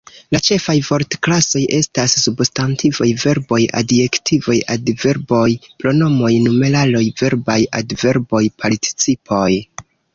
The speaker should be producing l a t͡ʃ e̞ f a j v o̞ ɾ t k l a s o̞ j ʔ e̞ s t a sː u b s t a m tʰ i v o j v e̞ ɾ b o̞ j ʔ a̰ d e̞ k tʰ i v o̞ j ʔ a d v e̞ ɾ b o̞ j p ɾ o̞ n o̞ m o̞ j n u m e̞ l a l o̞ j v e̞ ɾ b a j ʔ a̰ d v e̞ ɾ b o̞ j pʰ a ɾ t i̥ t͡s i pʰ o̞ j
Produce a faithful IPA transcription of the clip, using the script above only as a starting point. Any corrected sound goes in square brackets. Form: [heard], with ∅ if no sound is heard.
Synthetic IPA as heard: l a t͡ʃ e̞ f a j v o̞ ɾ t k l a s o̞ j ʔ e̞ s t a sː u b s t a [n] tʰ i v o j v e̞ ɾ b o̞ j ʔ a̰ d e̞ k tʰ i v o̞ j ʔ a d v e̞ ɾ b o̞ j p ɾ o̞ n o̞ m o̞ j n u m e̞ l a l o̞ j v e̞ ɾ b a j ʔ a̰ d v e̞ ɾ b o̞ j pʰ a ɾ t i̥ t͡s i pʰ o̞ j